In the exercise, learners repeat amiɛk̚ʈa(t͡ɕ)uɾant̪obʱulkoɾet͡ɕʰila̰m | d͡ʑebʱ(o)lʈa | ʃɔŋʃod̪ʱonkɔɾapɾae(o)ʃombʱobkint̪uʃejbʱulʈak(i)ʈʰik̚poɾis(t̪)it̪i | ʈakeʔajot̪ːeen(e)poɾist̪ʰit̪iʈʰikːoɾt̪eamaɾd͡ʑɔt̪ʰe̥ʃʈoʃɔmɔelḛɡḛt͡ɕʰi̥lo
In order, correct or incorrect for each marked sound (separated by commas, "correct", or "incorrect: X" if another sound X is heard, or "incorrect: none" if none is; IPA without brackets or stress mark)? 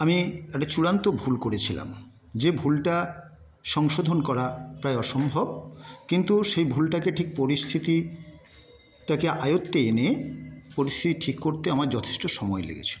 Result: correct, incorrect: u, incorrect: ɔ, incorrect: e, incorrect: t̪ʰ, correct